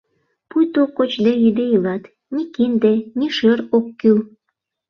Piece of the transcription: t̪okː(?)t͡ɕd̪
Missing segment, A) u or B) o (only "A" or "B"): B